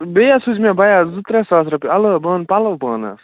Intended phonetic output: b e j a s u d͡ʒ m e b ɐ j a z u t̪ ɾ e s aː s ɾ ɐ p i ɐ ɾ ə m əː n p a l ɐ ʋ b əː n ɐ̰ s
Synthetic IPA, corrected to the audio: b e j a s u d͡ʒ m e b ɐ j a z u t̪ ɾ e s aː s ɾ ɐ p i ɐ l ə b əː n p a l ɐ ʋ b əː n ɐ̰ s